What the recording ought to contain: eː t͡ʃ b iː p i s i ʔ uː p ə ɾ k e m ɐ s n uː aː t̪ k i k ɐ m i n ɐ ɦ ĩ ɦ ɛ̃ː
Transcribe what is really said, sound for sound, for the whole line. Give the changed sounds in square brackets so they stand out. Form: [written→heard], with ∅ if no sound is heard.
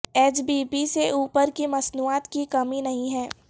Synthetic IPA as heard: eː t͡ʃ b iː p i s [i→e] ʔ uː p ə ɾ k [e→i] m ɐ s n uː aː t̪ k i k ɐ m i n ɐ ɦ ĩ ɦ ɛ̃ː